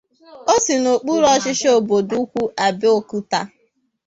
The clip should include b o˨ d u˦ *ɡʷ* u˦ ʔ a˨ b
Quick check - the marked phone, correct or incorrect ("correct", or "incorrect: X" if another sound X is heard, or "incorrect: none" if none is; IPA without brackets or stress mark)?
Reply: incorrect: kʷ